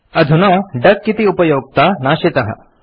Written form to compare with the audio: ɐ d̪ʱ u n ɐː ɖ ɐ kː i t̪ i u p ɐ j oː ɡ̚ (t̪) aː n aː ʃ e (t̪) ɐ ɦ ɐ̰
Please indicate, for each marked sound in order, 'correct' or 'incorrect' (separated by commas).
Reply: correct, correct